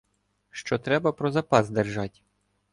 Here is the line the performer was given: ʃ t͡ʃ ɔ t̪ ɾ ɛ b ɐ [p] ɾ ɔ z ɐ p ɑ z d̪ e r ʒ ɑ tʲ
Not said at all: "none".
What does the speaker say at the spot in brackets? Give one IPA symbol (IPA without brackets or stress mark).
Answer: p